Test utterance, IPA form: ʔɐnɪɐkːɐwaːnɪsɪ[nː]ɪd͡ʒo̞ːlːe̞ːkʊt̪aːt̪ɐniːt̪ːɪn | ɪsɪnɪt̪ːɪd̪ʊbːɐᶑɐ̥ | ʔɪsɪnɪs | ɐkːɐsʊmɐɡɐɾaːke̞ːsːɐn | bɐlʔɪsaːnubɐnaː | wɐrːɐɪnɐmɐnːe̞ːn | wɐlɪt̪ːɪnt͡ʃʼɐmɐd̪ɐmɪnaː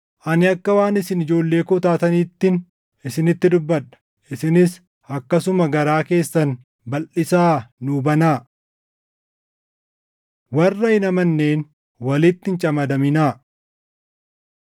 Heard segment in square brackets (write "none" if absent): n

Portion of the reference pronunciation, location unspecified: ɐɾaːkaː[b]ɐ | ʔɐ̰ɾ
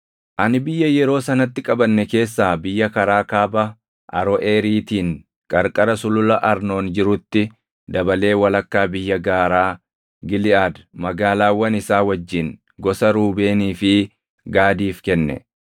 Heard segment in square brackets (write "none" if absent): b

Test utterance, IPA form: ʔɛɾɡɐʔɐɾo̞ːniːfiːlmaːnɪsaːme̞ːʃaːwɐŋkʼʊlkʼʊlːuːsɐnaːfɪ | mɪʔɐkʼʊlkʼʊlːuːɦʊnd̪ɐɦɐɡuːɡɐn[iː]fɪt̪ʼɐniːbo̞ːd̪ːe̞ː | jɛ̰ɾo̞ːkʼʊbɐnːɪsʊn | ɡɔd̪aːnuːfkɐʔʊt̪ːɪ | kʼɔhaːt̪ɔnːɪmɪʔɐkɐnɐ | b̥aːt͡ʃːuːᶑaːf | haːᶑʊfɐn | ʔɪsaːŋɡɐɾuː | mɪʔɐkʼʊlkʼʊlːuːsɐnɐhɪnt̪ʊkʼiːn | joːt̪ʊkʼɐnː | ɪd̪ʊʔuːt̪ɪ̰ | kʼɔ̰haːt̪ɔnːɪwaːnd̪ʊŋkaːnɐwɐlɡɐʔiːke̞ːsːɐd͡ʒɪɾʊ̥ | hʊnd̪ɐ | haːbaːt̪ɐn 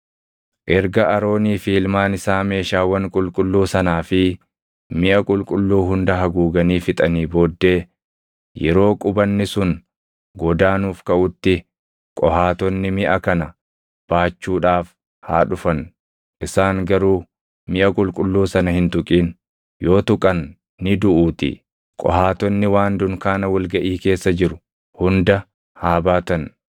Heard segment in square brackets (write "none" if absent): iː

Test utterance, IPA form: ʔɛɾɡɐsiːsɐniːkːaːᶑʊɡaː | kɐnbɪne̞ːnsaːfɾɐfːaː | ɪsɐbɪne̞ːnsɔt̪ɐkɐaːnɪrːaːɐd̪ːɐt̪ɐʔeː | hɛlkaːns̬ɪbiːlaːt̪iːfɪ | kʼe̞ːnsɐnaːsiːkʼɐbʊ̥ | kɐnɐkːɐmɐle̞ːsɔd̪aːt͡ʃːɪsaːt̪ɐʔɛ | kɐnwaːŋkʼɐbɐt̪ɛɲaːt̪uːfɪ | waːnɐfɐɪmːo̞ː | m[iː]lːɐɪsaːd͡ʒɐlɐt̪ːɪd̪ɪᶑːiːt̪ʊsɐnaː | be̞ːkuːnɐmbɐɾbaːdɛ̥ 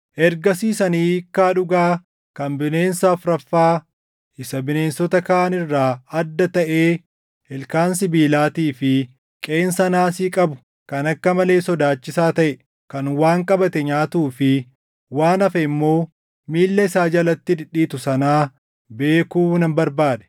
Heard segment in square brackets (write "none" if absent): iː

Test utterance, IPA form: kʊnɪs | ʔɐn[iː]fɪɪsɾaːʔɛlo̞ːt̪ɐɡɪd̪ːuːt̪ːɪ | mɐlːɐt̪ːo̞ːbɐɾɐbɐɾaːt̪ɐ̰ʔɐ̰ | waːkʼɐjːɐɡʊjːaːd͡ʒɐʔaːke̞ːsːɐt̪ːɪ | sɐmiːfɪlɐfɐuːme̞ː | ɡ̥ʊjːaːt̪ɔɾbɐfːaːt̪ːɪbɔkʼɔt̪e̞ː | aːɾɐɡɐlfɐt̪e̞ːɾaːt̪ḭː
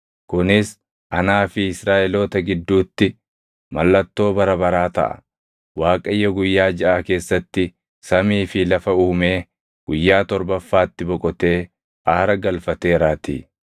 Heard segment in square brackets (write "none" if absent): aː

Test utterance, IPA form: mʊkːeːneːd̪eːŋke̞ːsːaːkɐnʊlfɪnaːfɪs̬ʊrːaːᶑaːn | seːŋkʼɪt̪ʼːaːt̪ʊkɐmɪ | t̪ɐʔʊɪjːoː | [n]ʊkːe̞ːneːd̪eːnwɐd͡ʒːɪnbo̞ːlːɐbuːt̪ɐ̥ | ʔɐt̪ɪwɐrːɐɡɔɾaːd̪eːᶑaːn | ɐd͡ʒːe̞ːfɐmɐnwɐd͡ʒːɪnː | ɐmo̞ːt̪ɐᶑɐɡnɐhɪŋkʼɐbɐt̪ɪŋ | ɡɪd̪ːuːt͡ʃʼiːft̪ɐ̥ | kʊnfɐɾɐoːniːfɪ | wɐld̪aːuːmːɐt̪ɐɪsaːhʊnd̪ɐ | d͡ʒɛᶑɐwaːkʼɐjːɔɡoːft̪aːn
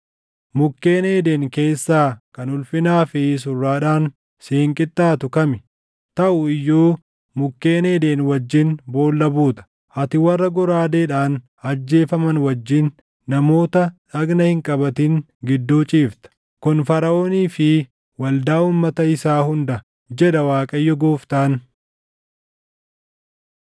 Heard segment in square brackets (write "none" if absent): m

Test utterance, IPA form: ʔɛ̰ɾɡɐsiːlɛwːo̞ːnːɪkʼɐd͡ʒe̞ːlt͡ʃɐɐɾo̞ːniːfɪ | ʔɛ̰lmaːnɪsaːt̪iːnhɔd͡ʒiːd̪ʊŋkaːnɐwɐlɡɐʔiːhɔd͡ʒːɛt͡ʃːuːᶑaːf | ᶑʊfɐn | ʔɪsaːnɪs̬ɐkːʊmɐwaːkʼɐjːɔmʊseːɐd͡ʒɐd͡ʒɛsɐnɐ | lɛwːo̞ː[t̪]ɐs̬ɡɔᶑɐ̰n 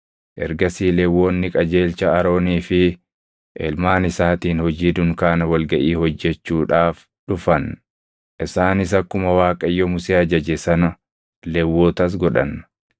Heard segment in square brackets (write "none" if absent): t̪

